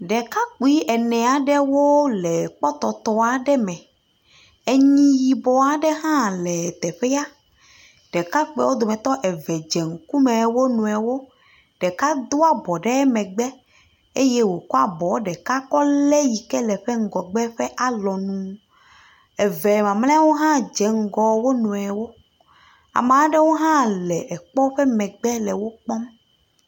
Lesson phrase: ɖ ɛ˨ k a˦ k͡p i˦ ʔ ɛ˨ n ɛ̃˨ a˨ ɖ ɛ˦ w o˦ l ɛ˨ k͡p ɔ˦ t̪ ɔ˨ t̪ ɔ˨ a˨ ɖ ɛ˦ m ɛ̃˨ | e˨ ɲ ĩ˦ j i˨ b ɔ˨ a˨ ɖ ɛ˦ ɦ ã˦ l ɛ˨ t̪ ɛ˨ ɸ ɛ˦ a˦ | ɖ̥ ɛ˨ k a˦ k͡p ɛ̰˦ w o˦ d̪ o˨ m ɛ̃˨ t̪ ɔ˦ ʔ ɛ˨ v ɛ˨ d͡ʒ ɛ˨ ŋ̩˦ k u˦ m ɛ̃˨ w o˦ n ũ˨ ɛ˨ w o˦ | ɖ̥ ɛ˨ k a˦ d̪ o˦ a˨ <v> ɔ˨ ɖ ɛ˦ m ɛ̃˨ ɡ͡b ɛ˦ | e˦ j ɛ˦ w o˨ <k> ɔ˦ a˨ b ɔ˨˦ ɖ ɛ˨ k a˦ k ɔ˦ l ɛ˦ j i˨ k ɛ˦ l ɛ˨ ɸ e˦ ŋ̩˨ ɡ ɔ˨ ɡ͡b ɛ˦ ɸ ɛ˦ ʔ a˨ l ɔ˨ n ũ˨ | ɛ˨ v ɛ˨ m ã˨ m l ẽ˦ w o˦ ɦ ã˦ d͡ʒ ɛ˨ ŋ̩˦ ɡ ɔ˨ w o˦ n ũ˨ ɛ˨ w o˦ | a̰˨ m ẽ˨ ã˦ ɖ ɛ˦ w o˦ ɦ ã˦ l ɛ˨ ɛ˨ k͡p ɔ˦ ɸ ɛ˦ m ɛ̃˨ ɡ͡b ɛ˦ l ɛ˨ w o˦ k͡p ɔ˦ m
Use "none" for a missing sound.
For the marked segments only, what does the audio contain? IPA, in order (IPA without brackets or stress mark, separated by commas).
b, k